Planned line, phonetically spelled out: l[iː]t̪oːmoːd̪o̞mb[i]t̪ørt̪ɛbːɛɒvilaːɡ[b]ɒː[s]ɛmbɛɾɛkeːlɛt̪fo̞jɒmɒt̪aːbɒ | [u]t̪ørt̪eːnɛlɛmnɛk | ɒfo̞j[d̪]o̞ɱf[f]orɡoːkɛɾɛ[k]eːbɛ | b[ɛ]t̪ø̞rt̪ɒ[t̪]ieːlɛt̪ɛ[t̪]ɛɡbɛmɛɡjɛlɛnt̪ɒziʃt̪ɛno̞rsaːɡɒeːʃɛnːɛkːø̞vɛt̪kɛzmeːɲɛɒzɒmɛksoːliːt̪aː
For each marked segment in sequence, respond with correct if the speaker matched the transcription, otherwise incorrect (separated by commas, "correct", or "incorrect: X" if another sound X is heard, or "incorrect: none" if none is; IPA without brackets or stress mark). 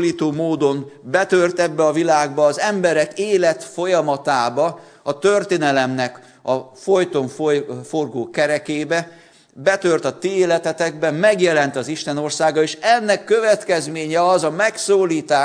correct, incorrect: ɛ, correct, incorrect: z, incorrect: ɒ, incorrect: t̪, correct, correct, correct, correct, correct